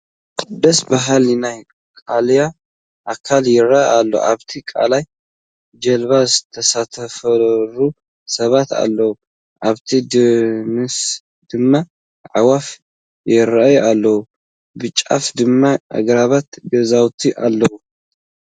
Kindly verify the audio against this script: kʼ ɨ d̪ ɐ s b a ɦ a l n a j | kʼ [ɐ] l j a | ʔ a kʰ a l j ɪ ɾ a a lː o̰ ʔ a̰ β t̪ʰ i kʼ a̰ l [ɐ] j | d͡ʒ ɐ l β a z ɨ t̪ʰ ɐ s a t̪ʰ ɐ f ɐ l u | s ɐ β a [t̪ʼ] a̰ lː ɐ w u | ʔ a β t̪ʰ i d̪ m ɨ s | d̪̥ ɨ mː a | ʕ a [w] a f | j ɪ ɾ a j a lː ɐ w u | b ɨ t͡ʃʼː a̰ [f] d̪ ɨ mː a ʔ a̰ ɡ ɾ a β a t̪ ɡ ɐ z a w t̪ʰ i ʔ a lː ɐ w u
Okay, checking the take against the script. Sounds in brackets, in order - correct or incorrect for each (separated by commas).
incorrect, incorrect, incorrect, correct, correct